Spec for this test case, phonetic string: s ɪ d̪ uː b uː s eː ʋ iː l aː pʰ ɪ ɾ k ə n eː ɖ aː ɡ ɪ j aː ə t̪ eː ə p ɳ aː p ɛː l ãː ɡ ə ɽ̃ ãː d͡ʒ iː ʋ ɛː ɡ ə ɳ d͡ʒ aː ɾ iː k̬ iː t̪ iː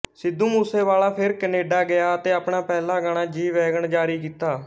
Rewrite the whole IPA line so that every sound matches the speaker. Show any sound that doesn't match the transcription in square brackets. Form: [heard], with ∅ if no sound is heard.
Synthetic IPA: s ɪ d̪ uː [m] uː s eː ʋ [aː] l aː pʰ ɪ ɾ k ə n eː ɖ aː ɡ ɪ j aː ə t̪ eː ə p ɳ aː p ɛː l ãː ɡ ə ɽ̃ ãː d͡ʒ iː ʋ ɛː ɡ ə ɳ d͡ʒ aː ɾ iː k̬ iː t̪ [aː]